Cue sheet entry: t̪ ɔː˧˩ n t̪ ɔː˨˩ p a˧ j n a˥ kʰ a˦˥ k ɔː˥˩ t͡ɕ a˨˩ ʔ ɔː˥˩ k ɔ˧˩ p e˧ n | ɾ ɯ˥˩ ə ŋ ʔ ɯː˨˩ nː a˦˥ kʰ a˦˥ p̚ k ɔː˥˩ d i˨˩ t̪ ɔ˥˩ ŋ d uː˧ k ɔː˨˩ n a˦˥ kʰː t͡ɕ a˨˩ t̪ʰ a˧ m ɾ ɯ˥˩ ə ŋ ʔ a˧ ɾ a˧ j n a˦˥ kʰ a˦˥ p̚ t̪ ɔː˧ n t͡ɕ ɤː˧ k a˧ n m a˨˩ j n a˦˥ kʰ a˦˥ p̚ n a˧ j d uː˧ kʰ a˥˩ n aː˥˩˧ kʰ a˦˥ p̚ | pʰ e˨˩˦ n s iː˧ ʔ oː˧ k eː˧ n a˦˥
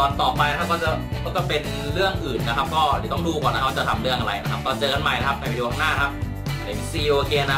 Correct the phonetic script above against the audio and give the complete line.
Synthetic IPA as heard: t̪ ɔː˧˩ n t̪ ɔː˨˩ p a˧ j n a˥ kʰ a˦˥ k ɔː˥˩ t͡ɕ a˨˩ k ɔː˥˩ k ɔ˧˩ p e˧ n | ɾ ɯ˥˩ ə ŋ ʔ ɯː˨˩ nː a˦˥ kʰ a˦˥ p̚ k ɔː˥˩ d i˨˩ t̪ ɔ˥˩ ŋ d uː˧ k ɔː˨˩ n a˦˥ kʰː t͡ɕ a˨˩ t̪ʰ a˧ m ɾ ɯ˥˩ ə ŋ ʔ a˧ ɾ a˧ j n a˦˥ kʰ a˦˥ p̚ t̪ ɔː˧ n t͡ɕ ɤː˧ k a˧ n m a˨˩ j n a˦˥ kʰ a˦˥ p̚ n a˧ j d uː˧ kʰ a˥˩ n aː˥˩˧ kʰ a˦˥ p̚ | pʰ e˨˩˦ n s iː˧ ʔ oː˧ k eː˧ n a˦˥